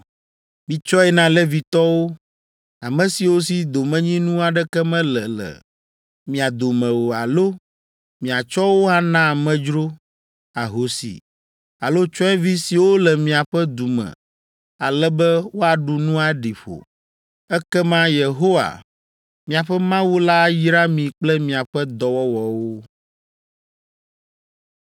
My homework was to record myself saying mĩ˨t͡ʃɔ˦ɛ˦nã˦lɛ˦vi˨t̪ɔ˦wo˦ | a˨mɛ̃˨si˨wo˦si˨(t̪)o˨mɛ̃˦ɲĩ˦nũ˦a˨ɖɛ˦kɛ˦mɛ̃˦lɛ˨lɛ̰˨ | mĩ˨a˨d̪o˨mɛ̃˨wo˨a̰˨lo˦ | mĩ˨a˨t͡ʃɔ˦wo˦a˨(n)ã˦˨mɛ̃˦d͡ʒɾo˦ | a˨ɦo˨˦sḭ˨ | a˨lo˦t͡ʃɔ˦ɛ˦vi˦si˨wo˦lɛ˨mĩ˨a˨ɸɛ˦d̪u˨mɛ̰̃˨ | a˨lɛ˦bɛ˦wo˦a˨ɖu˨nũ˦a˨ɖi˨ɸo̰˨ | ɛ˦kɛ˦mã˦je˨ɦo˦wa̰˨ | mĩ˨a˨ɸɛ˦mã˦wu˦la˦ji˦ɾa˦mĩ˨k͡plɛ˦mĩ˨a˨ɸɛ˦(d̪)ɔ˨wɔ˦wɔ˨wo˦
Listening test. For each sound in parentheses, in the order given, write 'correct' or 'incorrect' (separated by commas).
incorrect, correct, correct